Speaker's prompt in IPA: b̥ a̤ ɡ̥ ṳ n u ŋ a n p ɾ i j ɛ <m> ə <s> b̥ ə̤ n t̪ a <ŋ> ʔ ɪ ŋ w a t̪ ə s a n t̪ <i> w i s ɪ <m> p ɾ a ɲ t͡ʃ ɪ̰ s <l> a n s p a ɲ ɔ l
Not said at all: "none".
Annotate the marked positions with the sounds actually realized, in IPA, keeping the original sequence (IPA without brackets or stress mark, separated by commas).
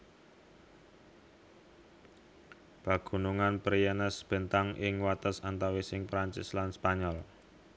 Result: n, s, ŋ, a, ŋ, l